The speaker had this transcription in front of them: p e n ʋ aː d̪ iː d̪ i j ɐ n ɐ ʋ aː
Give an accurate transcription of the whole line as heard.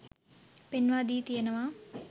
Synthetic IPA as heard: p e n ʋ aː d̪ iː t̪ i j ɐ n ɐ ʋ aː